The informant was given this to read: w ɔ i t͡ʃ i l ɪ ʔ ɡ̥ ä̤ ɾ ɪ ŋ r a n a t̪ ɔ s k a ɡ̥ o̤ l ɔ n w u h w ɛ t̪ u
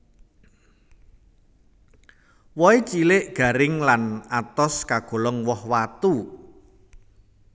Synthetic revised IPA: w ɔ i t͡ʃ i l ɪ ʔ ɡ̥ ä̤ ɾ ɪ ŋ l a n a t̪ ɔ s k a ɡ̥ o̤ l ɔ ŋ w ɔ h w a t̪ u